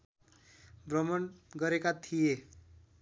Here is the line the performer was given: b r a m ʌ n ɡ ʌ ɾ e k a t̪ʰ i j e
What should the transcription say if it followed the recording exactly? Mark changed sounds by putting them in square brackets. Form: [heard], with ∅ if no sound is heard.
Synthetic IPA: b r [ʌ] m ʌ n ɡ ʌ ɾ e k a t̪ʰ i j e